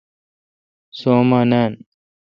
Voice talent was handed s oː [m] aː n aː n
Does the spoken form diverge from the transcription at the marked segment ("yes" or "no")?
no